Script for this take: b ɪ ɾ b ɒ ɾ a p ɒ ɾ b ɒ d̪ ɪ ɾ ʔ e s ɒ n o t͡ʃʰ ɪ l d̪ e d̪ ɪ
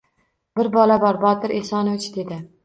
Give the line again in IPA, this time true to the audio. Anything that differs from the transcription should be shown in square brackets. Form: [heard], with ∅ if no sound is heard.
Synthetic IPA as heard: b ɪ ɾ b ɒ [l] a [b] ɒ ɾ b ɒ [t̪] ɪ ɾ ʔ e s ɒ n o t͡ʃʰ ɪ [∅] d̪ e d̪ ɪ